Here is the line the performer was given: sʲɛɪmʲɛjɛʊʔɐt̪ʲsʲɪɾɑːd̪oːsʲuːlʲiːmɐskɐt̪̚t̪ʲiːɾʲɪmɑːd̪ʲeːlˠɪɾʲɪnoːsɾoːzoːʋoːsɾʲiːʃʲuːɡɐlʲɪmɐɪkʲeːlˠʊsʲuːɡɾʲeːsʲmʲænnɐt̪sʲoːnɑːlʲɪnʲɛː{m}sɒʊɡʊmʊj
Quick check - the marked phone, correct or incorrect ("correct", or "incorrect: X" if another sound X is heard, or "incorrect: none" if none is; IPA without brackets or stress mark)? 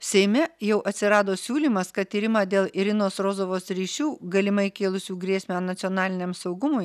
correct